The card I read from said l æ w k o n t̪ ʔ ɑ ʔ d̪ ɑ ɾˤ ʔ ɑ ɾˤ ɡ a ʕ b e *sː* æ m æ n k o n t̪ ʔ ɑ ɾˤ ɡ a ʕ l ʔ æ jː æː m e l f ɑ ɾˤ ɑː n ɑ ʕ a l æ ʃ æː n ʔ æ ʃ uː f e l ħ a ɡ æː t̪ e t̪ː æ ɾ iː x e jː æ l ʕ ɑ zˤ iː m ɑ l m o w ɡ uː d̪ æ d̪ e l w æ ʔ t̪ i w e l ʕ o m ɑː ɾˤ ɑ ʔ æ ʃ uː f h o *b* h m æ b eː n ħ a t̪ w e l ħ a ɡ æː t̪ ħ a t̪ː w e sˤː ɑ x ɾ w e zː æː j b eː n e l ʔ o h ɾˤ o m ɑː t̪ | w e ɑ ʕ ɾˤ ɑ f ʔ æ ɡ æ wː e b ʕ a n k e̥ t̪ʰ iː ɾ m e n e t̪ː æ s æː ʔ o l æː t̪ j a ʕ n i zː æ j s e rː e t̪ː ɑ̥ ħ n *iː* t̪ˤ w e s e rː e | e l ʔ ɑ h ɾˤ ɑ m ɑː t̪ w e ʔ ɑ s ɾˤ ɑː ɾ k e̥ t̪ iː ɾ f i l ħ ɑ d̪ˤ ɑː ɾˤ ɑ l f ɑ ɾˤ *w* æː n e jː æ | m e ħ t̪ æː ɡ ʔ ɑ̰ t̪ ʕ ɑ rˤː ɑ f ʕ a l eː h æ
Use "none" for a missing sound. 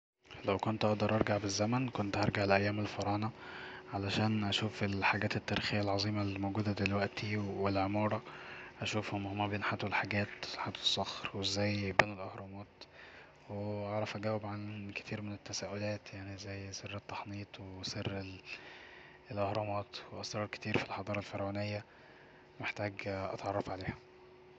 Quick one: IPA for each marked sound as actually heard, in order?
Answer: zː, m, iː, w

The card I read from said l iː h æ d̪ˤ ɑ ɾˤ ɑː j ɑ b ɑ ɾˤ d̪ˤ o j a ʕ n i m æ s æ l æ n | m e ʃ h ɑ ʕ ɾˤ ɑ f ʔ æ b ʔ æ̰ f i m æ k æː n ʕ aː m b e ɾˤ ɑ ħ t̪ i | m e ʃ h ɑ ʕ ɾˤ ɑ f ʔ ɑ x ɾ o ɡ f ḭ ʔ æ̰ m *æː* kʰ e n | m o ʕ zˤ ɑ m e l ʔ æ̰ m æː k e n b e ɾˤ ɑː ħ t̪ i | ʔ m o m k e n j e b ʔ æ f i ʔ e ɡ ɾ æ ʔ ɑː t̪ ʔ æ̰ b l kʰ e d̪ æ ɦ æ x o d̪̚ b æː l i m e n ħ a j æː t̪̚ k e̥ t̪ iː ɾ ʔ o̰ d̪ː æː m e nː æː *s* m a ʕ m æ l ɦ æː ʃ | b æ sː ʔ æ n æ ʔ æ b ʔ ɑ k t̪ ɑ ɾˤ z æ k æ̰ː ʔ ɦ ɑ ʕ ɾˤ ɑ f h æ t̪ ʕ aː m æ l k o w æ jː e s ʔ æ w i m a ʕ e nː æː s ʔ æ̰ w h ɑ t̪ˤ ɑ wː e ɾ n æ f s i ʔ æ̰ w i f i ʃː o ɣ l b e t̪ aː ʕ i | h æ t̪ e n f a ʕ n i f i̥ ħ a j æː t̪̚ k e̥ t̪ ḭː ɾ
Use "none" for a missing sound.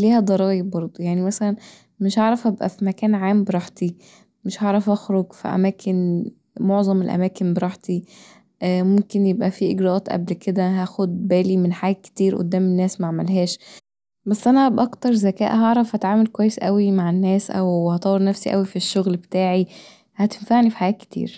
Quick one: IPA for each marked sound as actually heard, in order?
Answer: æː, s

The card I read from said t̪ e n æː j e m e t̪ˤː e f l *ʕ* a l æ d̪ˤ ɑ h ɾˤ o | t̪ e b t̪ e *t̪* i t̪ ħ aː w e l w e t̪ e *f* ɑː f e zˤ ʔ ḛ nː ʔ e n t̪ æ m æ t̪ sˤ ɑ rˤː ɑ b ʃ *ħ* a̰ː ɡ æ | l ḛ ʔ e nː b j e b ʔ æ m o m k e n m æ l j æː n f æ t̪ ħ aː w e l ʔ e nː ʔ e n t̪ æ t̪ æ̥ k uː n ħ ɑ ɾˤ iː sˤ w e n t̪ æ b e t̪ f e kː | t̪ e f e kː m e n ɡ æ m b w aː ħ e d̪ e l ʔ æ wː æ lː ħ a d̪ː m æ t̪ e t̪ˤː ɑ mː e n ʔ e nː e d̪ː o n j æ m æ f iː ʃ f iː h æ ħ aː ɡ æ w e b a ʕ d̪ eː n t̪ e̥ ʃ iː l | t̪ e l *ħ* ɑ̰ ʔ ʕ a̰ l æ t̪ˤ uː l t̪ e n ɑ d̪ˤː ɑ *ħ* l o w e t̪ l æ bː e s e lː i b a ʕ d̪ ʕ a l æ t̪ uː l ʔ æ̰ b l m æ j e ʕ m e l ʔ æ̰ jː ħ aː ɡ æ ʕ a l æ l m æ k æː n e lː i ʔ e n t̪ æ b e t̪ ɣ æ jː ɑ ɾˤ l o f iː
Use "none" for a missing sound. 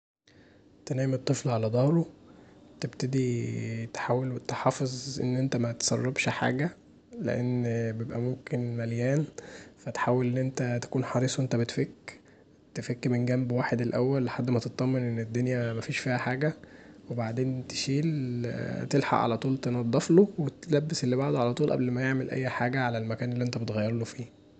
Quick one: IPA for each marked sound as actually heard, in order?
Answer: ʕ, d̪, ħ, ħ, ħ, f

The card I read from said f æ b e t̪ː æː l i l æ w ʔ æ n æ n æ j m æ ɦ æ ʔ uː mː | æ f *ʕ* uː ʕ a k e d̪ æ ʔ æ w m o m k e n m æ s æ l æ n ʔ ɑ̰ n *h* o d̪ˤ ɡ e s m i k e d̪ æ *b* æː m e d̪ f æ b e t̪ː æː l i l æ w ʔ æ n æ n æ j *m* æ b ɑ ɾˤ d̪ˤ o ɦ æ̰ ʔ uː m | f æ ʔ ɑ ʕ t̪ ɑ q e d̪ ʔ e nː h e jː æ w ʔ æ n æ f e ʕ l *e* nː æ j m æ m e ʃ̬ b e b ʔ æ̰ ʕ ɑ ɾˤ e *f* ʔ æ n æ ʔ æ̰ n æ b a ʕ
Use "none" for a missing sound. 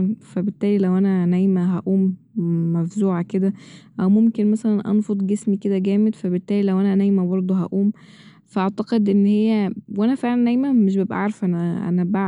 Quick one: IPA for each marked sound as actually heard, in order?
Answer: z, f, ɡ, m, æ, f

